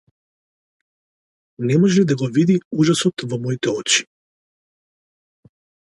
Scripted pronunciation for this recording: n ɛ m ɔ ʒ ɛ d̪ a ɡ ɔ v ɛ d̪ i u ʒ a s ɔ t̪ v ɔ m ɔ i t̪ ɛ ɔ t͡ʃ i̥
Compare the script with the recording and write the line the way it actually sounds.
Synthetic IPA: n ɛ m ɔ ʒ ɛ d̪ a ɡ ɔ v i d̪ i u ʒ a s ɔ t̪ v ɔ m ɔ i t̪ ɛ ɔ t͡ʃ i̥